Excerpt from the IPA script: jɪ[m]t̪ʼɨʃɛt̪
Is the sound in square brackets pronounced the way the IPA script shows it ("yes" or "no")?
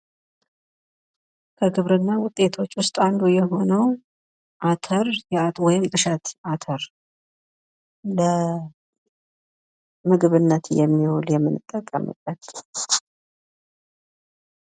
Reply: yes